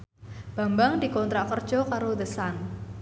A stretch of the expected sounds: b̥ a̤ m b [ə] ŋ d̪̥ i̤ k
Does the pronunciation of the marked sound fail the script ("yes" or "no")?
yes